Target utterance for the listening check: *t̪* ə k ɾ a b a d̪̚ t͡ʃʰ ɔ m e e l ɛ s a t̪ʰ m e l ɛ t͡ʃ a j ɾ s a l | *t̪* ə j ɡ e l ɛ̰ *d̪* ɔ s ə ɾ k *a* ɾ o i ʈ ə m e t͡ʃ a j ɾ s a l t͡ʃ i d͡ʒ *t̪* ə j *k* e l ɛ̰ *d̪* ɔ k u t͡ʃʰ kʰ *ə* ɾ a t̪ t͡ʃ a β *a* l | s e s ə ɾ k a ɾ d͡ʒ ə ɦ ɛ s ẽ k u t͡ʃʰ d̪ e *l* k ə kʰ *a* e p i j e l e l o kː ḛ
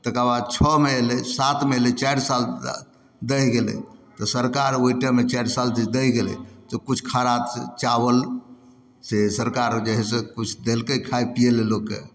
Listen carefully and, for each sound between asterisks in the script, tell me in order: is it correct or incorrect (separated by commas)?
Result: correct, incorrect, incorrect, correct, incorrect, incorrect, incorrect, incorrect, incorrect, correct, correct